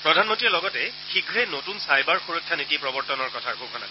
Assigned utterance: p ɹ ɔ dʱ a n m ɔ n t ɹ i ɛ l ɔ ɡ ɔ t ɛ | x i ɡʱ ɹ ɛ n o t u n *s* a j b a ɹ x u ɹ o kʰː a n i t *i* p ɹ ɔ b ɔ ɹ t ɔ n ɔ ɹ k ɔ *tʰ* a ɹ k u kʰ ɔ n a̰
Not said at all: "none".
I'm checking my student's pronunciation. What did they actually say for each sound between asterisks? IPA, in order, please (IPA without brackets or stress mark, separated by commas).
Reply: s, i, tʰ